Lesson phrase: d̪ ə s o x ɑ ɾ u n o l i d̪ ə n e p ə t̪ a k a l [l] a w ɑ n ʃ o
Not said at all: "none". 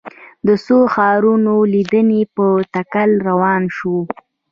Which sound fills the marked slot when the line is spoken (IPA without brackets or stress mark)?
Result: ɾ